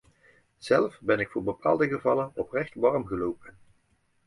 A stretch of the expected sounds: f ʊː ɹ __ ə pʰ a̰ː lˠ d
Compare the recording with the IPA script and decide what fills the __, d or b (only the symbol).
b